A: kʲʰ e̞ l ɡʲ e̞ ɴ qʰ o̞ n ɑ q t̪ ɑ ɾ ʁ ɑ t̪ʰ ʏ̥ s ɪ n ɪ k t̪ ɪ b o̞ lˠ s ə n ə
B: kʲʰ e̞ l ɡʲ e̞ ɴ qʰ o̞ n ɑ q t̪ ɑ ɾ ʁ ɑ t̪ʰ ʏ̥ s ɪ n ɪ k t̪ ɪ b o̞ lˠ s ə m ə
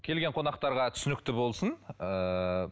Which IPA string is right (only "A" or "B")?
A